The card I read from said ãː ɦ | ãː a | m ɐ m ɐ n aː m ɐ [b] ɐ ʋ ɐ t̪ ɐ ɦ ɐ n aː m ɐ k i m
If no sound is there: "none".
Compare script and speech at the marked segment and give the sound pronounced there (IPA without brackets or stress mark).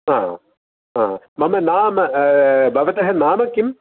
b